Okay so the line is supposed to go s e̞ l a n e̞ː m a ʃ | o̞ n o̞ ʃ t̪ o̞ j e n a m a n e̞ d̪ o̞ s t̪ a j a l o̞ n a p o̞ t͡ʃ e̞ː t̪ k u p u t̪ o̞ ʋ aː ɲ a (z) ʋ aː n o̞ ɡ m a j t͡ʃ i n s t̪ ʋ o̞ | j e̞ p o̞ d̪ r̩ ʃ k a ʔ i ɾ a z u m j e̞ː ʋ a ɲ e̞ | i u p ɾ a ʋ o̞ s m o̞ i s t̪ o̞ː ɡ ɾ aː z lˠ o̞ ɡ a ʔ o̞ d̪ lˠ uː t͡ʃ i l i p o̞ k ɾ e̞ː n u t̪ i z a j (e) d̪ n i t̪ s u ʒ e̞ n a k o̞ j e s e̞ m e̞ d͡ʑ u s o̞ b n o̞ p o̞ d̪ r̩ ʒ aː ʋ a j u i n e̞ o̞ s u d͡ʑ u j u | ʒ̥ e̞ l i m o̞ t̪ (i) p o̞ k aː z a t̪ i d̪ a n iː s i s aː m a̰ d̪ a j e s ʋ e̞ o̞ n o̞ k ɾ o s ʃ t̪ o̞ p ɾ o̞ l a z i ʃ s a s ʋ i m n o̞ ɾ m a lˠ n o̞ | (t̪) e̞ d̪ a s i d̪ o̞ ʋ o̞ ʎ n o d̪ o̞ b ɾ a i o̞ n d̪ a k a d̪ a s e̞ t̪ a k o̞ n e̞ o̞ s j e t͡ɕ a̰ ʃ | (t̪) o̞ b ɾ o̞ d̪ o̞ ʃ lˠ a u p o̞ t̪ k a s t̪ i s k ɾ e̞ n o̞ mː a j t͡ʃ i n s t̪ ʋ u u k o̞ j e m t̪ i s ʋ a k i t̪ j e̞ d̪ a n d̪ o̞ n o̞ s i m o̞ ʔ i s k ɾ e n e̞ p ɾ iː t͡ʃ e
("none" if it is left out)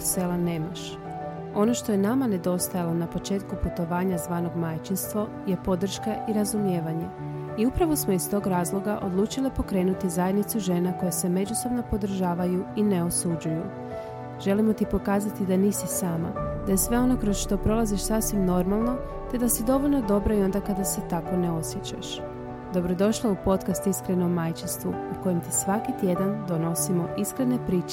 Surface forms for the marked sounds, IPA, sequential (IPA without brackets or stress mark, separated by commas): z, e, i, t̪, d̪